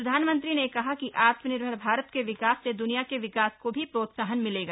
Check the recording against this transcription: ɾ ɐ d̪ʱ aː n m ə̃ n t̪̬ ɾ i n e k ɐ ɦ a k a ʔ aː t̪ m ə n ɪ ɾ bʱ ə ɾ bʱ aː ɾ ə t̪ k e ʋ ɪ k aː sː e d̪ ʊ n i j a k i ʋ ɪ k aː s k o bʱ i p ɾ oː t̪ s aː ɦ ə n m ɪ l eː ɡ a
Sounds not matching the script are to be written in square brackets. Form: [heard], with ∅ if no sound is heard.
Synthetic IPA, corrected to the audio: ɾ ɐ d̪ʱ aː n m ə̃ n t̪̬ ɾ i n e k ɐ ɦ a k [i] ʔ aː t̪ m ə n ɪ ɾ bʱ ə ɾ bʱ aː ɾ ə t̪ k e ʋ ɪ k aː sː e d̪ ʊ n i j a k [e] ʋ ɪ k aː s k o bʱ i p ɾ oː t̪ s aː ɦ ə n m ɪ l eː ɡ a